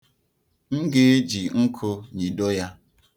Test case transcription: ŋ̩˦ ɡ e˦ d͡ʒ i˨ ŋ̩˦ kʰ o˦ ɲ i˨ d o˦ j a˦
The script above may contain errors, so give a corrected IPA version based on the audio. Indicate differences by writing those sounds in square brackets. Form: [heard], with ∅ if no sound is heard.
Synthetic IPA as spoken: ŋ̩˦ ɡ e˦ d͡ʒ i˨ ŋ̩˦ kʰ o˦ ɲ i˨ d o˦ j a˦